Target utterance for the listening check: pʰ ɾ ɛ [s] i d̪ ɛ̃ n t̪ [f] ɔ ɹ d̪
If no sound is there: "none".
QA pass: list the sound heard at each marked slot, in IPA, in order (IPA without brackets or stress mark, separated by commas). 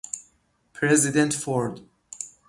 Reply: z, f